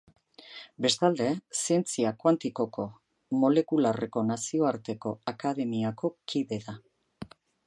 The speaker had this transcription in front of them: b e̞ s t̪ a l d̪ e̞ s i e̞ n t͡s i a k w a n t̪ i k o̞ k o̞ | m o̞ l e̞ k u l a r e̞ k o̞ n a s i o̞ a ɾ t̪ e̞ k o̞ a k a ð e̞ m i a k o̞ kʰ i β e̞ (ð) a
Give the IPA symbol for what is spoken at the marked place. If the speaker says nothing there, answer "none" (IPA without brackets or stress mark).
ð